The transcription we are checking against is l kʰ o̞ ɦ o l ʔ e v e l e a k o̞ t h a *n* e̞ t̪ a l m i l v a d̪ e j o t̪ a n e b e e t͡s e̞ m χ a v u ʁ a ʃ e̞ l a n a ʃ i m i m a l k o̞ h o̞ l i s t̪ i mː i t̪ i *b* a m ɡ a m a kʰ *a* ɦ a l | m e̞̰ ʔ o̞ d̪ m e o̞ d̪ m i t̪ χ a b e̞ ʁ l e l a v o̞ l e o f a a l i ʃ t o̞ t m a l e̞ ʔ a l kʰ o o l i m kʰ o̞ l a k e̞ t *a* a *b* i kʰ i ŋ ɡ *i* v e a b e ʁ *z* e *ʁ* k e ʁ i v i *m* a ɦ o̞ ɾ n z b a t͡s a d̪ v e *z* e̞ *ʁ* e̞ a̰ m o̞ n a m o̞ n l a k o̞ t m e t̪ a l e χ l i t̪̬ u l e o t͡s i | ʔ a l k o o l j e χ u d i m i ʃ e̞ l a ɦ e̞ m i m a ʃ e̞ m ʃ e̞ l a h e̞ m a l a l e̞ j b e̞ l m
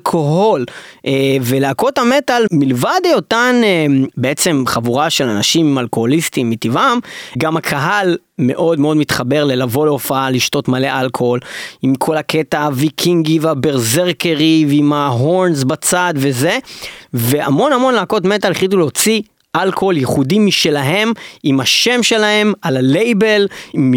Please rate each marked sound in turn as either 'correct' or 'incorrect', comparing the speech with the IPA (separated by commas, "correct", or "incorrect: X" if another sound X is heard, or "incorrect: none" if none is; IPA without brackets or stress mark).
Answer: incorrect: m, incorrect: v, correct, correct, incorrect: v, correct, correct, correct, correct, correct, incorrect: v